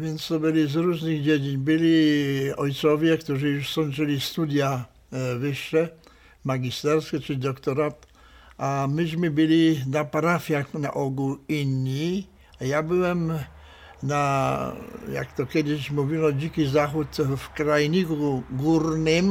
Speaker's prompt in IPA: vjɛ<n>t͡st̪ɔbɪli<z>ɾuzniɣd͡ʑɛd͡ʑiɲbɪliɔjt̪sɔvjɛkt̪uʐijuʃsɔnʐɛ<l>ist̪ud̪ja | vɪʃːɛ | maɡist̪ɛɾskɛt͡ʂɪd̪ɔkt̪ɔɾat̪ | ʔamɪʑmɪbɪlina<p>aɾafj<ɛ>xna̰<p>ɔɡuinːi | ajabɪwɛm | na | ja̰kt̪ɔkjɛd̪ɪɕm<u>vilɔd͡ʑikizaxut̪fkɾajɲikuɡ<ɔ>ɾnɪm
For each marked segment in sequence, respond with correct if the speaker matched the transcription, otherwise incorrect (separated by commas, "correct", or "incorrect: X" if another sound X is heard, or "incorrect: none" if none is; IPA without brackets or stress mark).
correct, correct, correct, correct, incorrect: a, incorrect: ʔ, correct, incorrect: u